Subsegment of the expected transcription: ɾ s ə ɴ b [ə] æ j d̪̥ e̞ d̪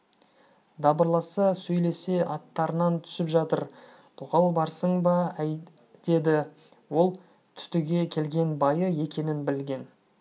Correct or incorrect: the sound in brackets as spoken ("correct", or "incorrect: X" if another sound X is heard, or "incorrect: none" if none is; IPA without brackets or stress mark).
incorrect: ɑ